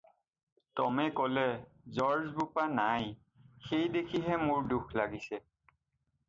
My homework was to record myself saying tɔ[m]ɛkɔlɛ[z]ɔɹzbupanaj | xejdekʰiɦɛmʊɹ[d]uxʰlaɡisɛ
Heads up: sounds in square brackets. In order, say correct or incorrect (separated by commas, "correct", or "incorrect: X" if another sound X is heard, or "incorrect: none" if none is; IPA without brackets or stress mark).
correct, correct, correct